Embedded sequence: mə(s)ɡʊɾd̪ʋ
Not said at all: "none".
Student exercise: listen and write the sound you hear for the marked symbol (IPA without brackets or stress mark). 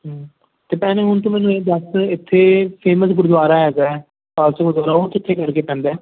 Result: s